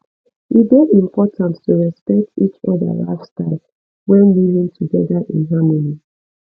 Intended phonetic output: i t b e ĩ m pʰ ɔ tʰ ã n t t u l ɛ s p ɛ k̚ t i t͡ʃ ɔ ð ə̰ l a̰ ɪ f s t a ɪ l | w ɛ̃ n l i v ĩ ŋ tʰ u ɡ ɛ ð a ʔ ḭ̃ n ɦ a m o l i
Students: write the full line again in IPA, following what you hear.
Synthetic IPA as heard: i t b e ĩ m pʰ ɔ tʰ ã n t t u ɹ ɛ s p ɛ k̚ t i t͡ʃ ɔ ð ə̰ l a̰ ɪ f s t a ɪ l | w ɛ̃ n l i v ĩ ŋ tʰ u ɡ ɛ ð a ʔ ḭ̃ n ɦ a m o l i